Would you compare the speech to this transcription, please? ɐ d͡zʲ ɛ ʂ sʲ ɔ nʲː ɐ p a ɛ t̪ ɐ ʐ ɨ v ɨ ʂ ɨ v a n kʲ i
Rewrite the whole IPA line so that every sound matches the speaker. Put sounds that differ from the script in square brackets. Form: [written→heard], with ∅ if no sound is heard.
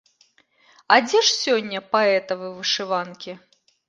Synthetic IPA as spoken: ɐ d͡zʲ ɛ ʂ sʲ ɔ nʲː ɐ p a ɛ t̪ ɐ [ʐ→v] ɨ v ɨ ʂ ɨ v a n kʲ i